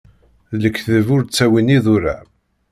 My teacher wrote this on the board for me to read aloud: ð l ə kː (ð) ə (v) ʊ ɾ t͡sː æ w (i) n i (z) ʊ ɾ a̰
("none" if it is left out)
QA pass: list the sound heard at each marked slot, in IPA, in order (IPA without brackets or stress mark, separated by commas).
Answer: θ, v, i, ð